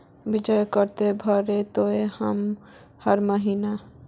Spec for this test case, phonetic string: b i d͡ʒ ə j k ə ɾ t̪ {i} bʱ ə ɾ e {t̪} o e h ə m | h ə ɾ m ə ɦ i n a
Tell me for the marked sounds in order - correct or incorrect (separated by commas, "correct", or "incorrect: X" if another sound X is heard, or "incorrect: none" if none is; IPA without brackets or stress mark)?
incorrect: e, correct